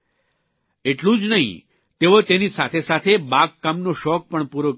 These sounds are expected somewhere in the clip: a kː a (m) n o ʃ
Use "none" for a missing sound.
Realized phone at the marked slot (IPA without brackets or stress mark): m